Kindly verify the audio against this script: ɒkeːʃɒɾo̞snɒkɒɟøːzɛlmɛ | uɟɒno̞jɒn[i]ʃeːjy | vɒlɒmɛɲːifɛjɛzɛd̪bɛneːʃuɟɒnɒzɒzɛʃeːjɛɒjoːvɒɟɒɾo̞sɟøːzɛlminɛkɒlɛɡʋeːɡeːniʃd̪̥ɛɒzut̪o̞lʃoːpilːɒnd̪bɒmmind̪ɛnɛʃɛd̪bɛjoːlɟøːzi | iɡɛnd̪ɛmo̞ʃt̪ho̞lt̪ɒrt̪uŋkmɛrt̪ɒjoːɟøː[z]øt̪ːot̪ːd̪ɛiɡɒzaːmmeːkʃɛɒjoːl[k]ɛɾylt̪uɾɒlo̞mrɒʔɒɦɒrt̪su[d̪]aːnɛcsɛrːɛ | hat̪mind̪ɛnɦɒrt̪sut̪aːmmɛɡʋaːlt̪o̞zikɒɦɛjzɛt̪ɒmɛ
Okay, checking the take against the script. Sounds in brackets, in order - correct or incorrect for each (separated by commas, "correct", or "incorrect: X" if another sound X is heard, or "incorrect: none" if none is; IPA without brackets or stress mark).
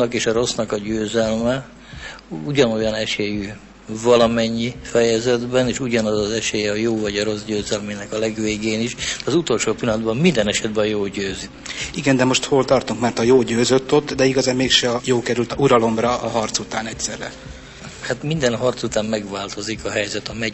incorrect: ɛ, correct, correct, incorrect: t̪